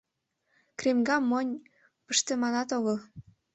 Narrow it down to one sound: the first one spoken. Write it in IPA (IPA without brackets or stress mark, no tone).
k